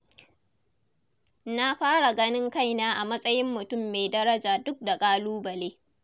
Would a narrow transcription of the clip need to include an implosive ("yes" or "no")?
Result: no